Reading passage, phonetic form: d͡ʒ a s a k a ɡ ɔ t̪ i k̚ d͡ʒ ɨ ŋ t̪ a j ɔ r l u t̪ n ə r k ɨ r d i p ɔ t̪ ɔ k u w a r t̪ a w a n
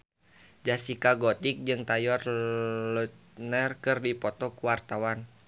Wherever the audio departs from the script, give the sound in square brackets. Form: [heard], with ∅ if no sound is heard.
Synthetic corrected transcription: d͡ʒ a s [i] k a ɡ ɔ t̪ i k̚ d͡ʒ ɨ ŋ t̪ a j ɔ r l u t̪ n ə r k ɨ r d i p ɔ t̪ ɔ k u w a r t̪ a w a n